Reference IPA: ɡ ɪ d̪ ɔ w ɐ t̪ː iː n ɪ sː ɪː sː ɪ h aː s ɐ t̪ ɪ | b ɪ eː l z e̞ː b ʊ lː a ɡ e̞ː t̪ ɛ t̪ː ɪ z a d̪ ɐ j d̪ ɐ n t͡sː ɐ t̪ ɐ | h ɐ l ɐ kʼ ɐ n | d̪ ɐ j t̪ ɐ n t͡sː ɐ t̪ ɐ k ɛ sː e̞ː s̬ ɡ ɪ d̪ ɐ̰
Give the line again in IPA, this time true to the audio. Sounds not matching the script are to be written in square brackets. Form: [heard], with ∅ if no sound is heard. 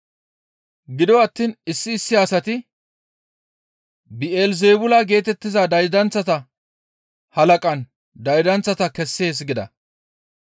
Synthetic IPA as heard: ɡ ɪ d̪ ɔ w ɐ t̪ː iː n ɪ sː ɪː sː ɪ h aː s ɐ t̪ ɪ | b ɪ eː l z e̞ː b ʊ [l] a ɡ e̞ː t̪ ɛ t̪ː ɪ z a d̪ ɐ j d̪ ɐ n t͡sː ɐ t̪ ɐ | h ɐ l ɐ kʼ ɐ n | d̪ ɐ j [d̪] ɐ n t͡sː ɐ t̪ ɐ k ɛ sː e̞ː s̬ ɡ ɪ d̪ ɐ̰